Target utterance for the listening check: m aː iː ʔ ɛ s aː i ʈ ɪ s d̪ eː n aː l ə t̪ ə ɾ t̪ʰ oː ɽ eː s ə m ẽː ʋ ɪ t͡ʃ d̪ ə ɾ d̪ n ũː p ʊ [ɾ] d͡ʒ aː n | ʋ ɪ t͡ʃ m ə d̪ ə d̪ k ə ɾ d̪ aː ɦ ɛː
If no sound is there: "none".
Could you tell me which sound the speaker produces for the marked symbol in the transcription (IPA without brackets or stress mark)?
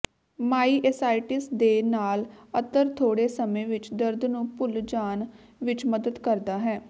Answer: l